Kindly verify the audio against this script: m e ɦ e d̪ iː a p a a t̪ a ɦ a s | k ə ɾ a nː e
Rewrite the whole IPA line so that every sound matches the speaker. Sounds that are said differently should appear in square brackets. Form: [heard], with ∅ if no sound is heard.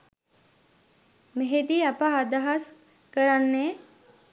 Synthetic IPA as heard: m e ɦ e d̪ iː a p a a [d̪] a ɦ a s | k ə ɾ a nː e